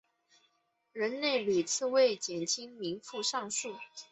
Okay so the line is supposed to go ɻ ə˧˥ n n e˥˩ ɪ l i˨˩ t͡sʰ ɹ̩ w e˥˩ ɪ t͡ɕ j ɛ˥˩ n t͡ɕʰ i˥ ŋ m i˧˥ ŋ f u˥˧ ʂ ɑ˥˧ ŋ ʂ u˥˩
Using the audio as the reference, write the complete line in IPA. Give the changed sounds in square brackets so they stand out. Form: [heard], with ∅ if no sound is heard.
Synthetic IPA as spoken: ɻ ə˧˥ n n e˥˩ ɪ l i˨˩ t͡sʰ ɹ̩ w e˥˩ ɪ t͡ɕ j [ɛ˨˩] n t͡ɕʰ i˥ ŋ m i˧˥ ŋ f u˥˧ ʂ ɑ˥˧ ŋ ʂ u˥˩